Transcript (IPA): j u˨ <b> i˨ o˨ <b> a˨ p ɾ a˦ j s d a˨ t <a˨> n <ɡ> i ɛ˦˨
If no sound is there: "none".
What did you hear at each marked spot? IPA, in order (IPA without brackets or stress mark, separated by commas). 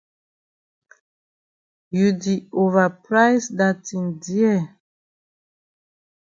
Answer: d, v, i˨, d